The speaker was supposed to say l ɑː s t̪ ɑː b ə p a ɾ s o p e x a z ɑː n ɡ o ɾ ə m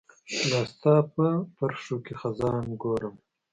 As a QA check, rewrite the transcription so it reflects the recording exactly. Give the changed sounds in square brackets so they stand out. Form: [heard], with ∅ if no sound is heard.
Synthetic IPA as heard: l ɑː s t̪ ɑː [p] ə p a ɾ [ʂ] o [k] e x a z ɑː n ɡ o ɾ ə m

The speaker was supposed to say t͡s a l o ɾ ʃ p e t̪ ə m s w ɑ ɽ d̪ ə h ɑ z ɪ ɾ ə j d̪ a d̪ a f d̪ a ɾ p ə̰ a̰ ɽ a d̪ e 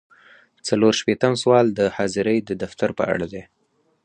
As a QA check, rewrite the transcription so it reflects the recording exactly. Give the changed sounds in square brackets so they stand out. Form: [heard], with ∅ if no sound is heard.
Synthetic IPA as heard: t͡s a l o ɾ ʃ p e t̪ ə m s w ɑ [l] d̪ ə h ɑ z ɪ ɾ ə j d̪ [ə] d̪ a f [t̪] a ɾ p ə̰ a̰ ɽ a d̪ e

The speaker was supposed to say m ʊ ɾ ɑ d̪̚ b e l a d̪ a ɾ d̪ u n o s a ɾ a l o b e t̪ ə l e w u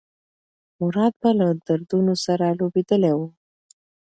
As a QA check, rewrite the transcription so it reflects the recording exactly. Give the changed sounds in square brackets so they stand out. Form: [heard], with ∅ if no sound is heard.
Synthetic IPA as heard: m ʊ ɾ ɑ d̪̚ b [a] l a d̪ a ɾ d̪ u n o s a ɾ a l o b e [d̪] ə l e w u

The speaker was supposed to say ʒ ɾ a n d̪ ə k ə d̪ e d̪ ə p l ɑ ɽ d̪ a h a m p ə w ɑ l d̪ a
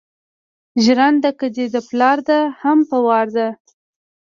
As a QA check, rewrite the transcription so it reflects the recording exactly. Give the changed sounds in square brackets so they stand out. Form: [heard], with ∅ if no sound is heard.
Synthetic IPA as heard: ʒ ɾ a n d̪ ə k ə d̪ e d̪ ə p l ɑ [ɾ] d̪ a h a m p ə w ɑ [ɾ] d̪ a

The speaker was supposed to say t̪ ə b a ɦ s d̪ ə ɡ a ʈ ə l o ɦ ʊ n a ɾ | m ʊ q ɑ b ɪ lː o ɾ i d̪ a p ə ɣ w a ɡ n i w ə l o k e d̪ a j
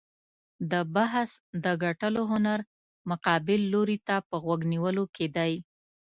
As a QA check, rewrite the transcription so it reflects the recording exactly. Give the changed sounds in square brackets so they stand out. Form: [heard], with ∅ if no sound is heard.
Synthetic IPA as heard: [d̪] ə b a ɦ s d̪ ə ɡ a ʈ ə l o ɦ ʊ n a ɾ | m ʊ q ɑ b ɪ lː o ɾ i [t̪] a p ə ɣ w a ɡ n i w ə l o k e d̪ a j

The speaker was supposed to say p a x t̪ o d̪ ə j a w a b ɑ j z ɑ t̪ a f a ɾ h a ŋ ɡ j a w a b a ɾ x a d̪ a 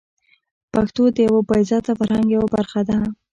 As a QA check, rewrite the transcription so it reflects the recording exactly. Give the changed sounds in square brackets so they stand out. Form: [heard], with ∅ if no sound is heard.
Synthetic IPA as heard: p a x t̪ o d̪ ə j a w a b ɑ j z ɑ t̪ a f a ɾ h a ŋ ɡ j a w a b a ɾ x a d̪ a

